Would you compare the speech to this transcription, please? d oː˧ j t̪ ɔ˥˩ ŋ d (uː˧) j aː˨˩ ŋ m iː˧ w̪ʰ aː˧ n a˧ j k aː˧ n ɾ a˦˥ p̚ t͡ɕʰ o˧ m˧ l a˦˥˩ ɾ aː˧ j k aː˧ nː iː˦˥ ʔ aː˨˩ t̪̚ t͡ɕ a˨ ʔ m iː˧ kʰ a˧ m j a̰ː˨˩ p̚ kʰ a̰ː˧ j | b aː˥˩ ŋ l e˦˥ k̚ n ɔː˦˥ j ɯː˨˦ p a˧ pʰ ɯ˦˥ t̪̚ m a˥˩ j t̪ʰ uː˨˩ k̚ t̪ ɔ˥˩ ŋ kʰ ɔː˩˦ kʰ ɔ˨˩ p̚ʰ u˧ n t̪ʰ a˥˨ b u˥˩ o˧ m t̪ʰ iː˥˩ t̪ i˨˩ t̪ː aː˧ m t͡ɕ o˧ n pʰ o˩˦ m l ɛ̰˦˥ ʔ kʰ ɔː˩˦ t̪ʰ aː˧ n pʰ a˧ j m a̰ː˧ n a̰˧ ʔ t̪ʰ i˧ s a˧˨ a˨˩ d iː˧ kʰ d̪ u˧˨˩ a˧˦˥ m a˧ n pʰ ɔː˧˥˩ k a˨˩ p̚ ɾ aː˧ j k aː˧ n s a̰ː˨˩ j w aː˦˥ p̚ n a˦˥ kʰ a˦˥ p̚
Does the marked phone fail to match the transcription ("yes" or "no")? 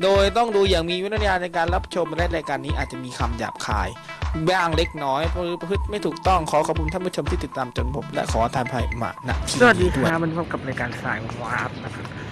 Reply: no